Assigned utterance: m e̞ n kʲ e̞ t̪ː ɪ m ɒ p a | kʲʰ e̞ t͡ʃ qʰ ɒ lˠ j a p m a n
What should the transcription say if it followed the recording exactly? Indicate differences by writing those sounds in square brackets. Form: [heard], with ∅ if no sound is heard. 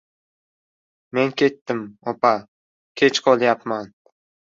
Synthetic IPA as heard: m e̞ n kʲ e̞ t̪ː ɪ m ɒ p a | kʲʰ e̞ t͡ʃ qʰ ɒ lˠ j a p m a n